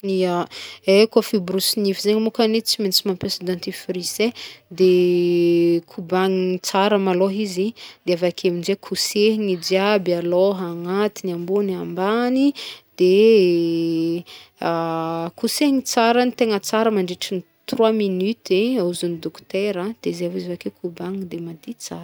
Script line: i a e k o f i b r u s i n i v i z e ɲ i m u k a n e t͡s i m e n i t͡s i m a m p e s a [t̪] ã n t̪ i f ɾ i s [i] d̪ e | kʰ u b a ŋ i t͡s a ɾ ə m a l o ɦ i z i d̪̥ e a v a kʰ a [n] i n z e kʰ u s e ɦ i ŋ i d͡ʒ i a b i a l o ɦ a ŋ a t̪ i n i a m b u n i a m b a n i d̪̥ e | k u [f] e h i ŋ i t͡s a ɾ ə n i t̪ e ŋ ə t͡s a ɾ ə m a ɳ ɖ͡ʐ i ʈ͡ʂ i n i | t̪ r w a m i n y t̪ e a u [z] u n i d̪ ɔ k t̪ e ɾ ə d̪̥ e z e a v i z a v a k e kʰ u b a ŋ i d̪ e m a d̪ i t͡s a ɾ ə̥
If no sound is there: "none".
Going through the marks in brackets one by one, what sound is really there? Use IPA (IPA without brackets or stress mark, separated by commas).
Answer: d̪, e, m, s, z